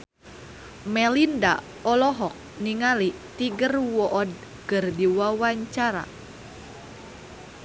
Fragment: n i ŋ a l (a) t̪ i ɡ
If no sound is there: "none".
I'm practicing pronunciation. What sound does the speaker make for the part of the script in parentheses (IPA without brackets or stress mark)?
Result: i